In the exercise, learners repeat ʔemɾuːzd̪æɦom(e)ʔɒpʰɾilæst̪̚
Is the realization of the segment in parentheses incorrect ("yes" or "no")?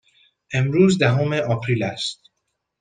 no